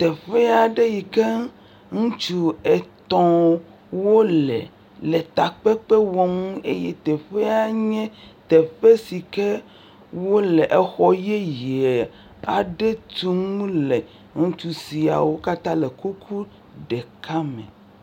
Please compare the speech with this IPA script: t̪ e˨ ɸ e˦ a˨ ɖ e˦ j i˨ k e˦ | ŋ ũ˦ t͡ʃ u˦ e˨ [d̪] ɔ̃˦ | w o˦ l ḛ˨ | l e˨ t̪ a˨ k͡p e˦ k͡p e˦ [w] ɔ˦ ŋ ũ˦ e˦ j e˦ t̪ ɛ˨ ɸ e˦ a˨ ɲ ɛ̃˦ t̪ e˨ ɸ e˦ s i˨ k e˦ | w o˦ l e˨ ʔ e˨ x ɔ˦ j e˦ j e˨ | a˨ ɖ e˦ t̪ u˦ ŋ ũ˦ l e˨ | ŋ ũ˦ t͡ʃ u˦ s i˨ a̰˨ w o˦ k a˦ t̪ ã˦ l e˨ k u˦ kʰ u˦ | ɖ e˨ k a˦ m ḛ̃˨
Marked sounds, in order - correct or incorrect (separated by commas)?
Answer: incorrect, correct